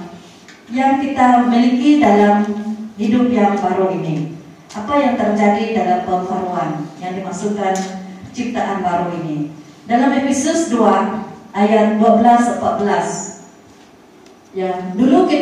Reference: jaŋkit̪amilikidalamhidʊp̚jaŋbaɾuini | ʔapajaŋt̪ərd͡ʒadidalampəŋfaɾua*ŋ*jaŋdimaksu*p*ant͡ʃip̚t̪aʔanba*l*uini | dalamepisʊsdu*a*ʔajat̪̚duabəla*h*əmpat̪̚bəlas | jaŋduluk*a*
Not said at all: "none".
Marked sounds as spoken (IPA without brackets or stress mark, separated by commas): n, k, ɾ, a, s, i